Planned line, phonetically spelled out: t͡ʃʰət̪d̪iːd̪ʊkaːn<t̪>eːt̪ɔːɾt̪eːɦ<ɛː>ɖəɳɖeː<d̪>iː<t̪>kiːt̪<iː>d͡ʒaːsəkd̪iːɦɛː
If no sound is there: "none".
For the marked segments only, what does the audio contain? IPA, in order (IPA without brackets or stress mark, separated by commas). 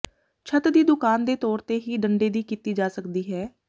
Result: d̪, iː, d̪, none, iː